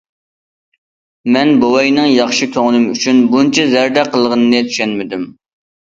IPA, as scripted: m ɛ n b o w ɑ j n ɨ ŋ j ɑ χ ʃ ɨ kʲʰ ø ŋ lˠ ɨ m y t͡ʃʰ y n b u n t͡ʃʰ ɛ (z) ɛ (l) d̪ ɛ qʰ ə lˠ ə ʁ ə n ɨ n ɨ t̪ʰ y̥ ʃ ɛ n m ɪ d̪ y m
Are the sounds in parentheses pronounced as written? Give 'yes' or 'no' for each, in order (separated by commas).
yes, no